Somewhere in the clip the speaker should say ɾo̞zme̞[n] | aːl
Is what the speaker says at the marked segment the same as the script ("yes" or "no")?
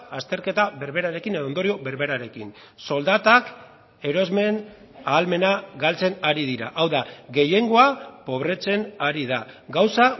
yes